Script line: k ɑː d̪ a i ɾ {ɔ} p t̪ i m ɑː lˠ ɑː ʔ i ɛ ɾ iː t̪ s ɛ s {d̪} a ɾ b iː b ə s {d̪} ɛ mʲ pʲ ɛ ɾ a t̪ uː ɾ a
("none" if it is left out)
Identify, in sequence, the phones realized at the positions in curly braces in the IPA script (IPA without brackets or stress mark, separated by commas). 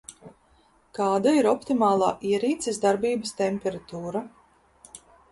ɔ, d̪, t̪